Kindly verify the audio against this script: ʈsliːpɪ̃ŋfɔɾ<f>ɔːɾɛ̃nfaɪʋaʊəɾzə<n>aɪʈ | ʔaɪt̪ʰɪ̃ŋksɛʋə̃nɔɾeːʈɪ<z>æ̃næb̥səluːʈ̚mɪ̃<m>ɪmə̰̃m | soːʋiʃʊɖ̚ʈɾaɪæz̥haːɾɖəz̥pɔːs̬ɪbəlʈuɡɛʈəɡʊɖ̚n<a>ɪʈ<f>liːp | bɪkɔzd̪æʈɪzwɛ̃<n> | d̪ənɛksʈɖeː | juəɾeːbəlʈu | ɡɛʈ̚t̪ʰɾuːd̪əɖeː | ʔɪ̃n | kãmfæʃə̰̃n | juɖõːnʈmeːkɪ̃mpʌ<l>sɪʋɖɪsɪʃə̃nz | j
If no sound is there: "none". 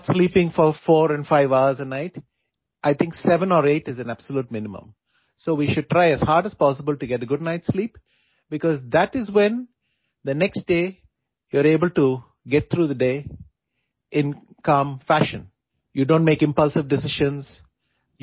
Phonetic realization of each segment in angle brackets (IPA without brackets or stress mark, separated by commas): f, n, z, n, a, s, n, l